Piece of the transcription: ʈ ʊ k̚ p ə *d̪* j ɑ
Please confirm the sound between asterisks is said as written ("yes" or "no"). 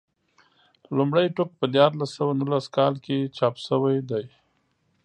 yes